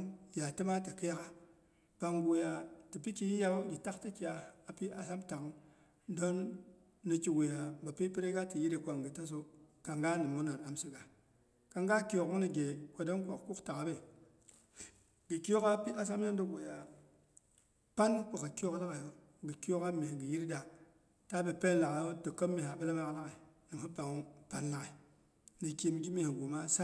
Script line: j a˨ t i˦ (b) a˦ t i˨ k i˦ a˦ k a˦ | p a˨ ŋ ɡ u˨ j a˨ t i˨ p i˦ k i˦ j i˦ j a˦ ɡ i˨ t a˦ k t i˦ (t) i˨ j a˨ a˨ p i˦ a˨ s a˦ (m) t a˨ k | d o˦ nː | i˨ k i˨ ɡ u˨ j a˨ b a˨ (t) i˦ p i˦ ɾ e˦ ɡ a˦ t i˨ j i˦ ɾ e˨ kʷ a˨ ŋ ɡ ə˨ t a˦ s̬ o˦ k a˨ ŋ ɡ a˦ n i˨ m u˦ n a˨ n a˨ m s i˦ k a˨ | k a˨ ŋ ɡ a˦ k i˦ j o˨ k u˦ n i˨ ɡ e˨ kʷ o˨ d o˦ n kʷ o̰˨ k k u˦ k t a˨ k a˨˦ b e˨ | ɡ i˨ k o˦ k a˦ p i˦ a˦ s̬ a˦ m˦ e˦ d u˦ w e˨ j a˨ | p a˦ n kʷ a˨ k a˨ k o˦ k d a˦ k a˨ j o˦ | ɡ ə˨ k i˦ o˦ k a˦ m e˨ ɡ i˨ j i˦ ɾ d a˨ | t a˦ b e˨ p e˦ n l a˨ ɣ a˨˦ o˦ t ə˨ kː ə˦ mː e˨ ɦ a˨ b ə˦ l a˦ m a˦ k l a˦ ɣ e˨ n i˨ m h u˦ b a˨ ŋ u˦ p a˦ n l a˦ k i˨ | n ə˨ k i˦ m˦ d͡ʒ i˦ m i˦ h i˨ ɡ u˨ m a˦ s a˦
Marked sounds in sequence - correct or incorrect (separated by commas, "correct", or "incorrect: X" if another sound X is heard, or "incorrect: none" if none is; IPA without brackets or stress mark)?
incorrect: m, incorrect: k, correct, incorrect: p